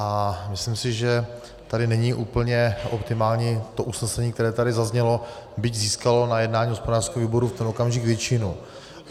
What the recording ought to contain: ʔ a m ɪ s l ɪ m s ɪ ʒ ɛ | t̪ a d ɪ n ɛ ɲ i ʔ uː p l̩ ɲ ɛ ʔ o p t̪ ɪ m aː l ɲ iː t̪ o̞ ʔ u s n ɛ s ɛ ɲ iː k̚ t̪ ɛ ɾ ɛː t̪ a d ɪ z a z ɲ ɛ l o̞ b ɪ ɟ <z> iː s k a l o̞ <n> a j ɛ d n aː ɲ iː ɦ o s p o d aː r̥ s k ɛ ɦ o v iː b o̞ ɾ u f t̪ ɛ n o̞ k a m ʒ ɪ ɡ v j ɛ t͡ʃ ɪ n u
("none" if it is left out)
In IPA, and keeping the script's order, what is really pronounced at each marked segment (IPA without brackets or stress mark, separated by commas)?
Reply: z, n